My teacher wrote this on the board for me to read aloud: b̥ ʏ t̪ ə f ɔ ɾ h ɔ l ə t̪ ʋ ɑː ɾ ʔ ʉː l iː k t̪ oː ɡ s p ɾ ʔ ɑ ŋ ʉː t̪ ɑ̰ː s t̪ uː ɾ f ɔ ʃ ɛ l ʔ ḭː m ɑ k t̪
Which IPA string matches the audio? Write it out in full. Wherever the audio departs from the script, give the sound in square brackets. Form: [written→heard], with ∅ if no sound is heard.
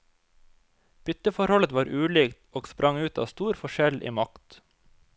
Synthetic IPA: b̥ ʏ t̪ ə f ɔ ɾ h ɔ l ə t̪ ʋ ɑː ɾ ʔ ʉː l iː k t̪ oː ɡ s p ɾ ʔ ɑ ŋ ʉː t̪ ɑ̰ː s t̪ uː ɾ f ɔ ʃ ɛ l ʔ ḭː m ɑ k t̪